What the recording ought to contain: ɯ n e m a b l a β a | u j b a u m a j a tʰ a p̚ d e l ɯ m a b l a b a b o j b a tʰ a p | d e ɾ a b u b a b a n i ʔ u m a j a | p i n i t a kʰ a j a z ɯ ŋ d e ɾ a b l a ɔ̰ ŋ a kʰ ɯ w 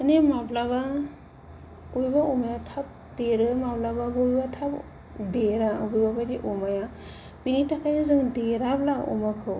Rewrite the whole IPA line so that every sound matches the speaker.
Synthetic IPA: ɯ n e m a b l a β a | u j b a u m a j a tʰ a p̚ d e ɾ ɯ m a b l a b a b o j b a tʰ a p | d e ɾ a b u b a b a d i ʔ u m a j a | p i n i t a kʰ a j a z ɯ ŋ d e ɾ a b l a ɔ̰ m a kʰ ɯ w